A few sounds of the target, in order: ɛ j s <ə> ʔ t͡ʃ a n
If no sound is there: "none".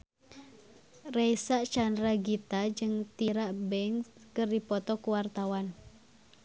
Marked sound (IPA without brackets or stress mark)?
a